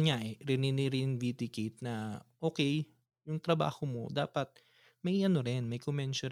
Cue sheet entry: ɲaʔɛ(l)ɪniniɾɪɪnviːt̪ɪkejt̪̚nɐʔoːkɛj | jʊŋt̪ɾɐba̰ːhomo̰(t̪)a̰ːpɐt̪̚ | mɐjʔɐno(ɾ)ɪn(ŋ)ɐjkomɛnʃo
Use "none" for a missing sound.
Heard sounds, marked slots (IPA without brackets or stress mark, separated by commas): ɾ, d̪, ɾ, m